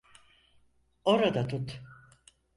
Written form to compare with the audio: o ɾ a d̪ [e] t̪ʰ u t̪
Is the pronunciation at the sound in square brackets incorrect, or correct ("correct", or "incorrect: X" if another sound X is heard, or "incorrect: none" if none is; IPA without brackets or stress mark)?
incorrect: a